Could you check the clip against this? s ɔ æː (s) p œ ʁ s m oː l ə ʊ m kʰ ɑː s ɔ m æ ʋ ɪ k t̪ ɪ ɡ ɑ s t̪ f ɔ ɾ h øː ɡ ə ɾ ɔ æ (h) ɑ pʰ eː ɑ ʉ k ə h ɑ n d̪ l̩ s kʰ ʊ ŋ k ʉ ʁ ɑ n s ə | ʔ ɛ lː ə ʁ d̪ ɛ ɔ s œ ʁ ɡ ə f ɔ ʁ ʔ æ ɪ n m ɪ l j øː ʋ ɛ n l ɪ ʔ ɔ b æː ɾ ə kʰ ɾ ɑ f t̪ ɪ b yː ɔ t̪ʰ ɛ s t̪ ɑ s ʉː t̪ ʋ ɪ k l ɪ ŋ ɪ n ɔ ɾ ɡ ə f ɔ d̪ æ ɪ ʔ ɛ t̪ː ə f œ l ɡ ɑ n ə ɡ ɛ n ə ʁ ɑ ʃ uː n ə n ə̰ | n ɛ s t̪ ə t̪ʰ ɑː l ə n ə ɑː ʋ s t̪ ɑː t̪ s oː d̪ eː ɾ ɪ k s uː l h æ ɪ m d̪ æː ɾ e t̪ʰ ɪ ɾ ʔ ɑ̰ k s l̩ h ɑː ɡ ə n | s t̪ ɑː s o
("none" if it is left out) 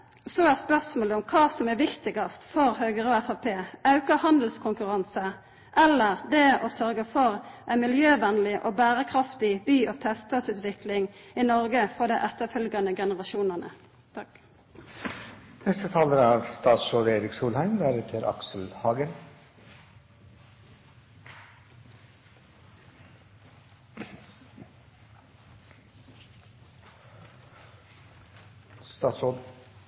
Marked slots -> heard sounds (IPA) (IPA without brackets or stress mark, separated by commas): s, f